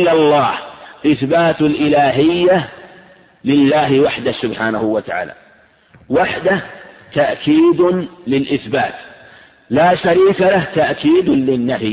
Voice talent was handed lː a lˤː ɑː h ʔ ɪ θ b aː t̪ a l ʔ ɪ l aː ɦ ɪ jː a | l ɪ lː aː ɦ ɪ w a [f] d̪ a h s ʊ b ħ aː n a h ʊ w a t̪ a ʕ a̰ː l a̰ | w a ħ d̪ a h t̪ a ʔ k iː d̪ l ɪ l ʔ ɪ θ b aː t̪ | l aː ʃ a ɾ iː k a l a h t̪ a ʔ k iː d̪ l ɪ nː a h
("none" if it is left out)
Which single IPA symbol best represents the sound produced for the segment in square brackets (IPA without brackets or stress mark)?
ħ